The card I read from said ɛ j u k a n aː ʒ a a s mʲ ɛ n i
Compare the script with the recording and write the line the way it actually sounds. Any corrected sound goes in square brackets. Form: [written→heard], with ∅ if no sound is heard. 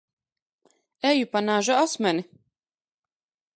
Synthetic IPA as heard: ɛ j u [k→p] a n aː ʒ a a s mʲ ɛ n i